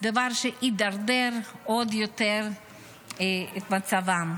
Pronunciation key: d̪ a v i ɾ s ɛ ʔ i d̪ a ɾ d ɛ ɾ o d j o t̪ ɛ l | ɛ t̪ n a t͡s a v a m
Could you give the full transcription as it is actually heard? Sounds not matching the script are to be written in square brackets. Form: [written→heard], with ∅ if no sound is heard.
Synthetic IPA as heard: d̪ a v [i→a] ɾ [s→ʃ] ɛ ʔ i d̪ a ɾ d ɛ ɾ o d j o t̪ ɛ [l→ɾ] | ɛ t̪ [n→m] a t͡s a v a m